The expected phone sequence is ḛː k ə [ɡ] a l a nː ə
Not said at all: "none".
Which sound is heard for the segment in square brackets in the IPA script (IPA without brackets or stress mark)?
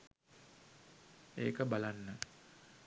b